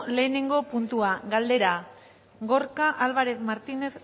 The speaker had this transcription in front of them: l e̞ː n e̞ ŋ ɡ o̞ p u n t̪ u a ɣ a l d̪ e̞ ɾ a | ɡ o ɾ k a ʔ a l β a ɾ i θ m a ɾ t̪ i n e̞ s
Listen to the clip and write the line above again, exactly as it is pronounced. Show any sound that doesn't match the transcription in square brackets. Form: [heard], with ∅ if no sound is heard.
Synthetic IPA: l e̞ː n e̞ ŋ ɡ o̞ p u n t̪ u a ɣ a l d̪ e̞ ɾ a | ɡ o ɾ k a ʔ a l β a ɾ [e] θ m a ɾ t̪ i n e̞ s